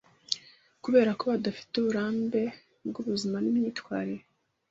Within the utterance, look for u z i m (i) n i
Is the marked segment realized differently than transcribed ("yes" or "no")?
yes